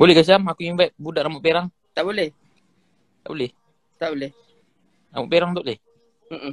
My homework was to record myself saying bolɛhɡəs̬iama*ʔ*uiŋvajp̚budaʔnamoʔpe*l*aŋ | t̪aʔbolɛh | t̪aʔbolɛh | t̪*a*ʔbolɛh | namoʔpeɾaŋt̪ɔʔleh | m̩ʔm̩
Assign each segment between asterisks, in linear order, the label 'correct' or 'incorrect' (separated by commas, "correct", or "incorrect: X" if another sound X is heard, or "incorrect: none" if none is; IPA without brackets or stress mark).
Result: incorrect: k, incorrect: ɾ, correct